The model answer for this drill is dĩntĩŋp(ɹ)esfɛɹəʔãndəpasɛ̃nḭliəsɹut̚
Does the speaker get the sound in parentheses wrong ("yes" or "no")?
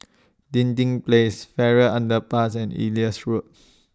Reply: yes